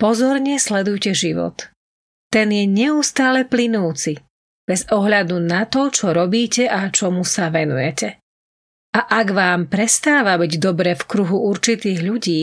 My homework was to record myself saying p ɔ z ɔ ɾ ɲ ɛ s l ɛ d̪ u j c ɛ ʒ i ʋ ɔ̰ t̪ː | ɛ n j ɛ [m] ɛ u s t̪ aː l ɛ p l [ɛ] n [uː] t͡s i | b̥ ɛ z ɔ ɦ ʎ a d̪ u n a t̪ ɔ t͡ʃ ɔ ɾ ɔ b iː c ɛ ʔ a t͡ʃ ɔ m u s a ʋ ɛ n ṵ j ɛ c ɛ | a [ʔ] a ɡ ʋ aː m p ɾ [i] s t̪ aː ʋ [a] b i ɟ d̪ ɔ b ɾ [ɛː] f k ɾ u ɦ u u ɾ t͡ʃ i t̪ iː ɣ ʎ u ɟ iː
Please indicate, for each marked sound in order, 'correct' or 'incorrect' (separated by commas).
incorrect, incorrect, correct, correct, incorrect, correct, correct